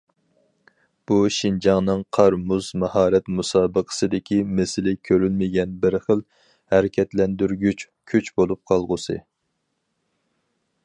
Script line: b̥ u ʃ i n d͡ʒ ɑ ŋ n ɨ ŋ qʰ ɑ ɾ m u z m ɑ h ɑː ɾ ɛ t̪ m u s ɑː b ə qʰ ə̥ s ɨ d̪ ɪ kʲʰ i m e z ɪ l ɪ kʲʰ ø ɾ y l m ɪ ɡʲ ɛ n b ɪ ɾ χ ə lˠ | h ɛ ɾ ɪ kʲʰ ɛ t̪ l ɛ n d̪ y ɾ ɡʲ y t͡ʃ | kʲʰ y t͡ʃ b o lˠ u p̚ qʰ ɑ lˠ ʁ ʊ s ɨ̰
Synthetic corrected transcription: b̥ u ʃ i n d͡ʒ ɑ ŋ n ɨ ŋ qʰ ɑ ɾ m u z m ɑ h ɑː ɾ ɛ t̪ m u s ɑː b ə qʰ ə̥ s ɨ d̪ ɪ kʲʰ i m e s ɪ l ɪ kʲʰ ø ɾ y l m ɪ ɡʲ ɛ n b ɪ ɾ χ ə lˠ | h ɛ ɾ ɪ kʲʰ ɛ t̪ l ɛ n d̪ y ɾ ɡʲ y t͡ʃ | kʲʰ y t͡ʃ b o lˠ u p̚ qʰ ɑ lˠ ʁ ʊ s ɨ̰